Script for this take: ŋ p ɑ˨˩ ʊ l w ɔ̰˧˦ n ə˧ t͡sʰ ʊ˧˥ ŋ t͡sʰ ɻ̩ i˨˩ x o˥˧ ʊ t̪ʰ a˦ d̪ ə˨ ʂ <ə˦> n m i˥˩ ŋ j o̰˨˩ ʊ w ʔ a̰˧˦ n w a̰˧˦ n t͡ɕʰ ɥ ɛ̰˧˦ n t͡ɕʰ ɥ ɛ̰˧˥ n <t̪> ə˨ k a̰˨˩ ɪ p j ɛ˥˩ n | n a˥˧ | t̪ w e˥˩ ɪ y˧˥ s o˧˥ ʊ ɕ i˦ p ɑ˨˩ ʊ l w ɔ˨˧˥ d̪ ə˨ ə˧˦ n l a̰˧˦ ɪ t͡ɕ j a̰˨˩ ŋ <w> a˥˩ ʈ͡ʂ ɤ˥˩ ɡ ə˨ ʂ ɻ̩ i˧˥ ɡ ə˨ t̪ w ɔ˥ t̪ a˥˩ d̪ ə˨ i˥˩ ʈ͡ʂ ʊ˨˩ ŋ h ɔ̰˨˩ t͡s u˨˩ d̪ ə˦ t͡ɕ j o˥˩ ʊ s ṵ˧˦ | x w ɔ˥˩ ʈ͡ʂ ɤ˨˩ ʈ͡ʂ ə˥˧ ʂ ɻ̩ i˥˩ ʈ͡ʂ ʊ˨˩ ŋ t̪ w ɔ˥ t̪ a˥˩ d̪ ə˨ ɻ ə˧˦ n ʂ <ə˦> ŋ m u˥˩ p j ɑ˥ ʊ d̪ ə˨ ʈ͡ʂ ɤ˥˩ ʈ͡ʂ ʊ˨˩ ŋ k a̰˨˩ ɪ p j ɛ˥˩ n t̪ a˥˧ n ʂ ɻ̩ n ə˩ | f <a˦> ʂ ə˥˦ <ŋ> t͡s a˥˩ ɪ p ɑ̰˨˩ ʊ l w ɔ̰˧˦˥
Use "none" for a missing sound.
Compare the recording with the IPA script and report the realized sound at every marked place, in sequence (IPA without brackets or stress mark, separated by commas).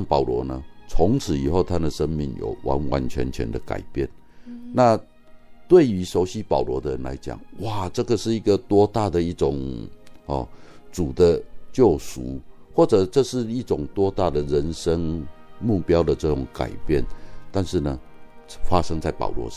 ə˦, d̪, w, ə˦, a˦, ŋ